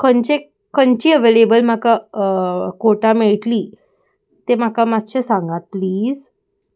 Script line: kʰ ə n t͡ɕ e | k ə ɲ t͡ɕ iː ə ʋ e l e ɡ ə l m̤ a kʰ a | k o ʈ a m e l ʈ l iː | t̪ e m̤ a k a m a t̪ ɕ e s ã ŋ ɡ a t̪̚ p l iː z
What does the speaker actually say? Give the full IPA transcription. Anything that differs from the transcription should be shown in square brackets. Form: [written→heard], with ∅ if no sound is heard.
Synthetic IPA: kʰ ə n t͡ɕ e | k ə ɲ t͡ɕ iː ə ʋ e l e [ɡ→b] ə l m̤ a [kʰ→k] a | k o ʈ a m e [l→ɭ] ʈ l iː | t̪ e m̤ a k a m a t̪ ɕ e s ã ŋ ɡ a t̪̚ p l iː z